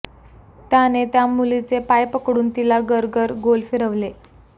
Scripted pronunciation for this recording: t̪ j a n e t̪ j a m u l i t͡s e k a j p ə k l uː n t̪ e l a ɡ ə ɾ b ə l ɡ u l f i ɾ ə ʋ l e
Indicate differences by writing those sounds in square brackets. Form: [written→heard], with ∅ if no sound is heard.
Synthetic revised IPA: t̪ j a n e t̪ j a m u l i t͡s e [k→p] a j p ə k [l→ɽ] uː n t̪ [e→i] l a ɡ ə ɾ [b→ɡ] ə [l→ɾ] ɡ [u→o] l f i ɾ ə ʋ l e